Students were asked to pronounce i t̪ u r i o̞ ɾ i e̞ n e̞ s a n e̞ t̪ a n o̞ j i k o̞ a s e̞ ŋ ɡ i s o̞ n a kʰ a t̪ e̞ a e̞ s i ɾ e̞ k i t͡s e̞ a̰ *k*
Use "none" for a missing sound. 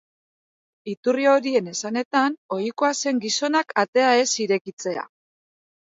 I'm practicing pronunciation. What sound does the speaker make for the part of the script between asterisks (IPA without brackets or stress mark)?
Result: none